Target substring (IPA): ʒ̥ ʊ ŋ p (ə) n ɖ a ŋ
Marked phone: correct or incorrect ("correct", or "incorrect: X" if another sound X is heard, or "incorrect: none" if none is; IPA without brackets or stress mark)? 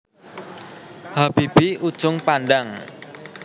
incorrect: a